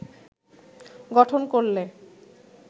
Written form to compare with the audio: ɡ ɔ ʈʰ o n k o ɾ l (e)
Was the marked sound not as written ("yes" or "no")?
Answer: no